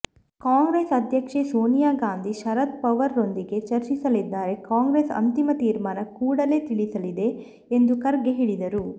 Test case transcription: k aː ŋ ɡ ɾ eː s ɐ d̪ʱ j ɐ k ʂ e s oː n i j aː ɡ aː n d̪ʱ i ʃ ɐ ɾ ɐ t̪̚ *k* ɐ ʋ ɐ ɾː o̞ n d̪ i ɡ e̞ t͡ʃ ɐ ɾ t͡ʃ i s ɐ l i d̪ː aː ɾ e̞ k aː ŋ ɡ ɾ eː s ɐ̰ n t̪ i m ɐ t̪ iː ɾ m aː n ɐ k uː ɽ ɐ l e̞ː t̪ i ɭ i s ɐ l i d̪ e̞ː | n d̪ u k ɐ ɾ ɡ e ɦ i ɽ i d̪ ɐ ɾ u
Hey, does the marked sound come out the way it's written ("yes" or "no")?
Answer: no